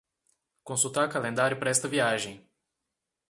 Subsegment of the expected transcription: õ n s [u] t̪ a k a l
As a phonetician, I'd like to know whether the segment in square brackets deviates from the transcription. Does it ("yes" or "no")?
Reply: no